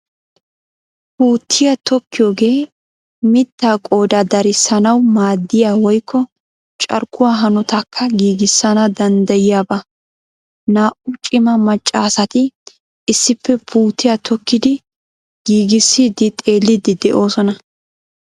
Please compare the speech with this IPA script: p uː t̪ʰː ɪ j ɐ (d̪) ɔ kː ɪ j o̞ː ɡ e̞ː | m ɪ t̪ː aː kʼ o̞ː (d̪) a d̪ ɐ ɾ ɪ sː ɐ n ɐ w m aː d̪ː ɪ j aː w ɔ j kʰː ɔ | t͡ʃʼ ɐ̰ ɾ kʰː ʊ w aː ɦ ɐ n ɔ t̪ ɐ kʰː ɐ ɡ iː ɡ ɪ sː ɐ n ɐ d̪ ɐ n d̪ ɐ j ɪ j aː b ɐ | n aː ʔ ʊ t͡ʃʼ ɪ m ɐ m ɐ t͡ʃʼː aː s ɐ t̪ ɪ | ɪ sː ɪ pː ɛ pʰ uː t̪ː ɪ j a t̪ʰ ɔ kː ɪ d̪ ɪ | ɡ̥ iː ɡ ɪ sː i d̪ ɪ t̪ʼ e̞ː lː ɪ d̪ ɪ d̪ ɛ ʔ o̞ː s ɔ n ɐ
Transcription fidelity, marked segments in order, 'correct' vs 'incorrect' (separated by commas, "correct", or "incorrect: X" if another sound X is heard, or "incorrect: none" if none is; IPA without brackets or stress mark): incorrect: t̪, correct